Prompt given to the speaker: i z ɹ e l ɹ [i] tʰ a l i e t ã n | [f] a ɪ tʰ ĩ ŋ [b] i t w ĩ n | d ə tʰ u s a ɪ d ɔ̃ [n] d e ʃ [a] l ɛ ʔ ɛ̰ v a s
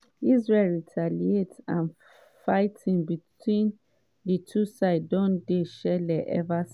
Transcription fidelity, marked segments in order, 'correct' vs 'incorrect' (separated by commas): correct, correct, correct, correct, incorrect